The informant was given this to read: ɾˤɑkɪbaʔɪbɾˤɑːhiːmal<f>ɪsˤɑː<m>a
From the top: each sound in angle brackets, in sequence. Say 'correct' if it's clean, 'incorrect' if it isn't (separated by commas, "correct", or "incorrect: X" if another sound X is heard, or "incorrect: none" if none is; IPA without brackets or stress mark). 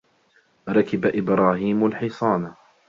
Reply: incorrect: ħ, incorrect: n